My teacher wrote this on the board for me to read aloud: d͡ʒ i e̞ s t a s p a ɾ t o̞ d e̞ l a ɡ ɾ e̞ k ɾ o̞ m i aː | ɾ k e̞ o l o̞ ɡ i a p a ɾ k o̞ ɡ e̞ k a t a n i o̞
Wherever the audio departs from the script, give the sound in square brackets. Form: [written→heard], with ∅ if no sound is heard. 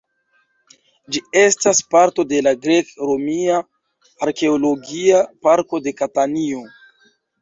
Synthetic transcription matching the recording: d͡ʒ i e̞ s t a s p a ɾ t o̞ d e̞ l a ɡ ɾ e̞ k ɾ o̞ m i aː | ɾ k e̞ o l o̞ ɡ i a p a ɾ k o̞ [ɡ→d] e̞ k a t a n i o̞